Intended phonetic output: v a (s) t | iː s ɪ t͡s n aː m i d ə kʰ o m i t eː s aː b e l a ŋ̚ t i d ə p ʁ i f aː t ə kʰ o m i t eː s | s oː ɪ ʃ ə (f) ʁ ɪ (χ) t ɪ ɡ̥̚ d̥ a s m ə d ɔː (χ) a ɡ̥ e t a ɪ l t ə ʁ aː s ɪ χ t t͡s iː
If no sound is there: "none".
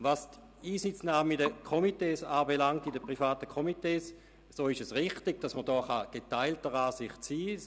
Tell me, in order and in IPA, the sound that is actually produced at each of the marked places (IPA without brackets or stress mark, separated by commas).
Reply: s, s, χ, χ